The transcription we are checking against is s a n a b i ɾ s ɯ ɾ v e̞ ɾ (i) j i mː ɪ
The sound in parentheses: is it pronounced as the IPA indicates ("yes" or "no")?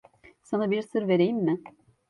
no